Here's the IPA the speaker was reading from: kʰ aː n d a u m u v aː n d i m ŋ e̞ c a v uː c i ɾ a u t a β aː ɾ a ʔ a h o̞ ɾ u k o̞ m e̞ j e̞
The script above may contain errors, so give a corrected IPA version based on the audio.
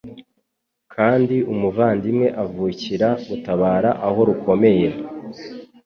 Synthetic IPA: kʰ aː n d i u m u v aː n d i m ŋ e̞ ʔ a v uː c i ɾ a u t a β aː ɾ a ʔ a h o̞ ɾ u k o̞ m e̞ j e̞